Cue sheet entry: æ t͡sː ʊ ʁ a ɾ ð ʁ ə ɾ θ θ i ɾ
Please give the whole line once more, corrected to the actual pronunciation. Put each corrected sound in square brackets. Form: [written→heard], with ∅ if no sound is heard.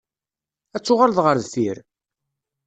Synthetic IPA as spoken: æ t͡sː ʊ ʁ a [ɾ→l] ð ʁ ə ɾ [θ→ð] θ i ɾ